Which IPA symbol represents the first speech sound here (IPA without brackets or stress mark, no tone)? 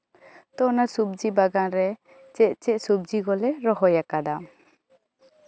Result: t̪